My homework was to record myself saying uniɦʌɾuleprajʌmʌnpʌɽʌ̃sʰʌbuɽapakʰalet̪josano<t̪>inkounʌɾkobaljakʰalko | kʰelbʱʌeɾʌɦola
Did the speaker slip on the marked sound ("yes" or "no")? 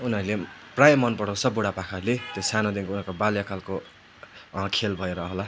yes